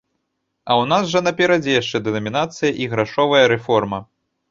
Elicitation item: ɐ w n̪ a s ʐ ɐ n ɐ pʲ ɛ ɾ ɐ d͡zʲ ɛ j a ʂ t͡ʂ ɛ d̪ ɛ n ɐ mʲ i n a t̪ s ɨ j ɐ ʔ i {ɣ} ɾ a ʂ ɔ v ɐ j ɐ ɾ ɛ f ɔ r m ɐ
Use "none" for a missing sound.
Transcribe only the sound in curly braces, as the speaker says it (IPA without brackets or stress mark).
ɣ